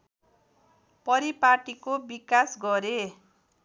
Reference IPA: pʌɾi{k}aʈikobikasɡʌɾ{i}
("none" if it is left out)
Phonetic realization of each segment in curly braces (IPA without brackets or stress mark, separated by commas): p, e